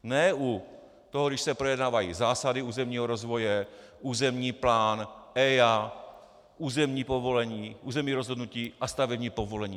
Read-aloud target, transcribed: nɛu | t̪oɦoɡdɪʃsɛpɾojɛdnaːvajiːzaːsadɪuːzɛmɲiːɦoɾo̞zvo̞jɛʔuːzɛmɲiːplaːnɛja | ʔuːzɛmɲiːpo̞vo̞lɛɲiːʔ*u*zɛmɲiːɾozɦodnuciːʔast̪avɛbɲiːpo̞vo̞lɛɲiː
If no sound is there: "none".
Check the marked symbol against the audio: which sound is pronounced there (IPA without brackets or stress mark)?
uː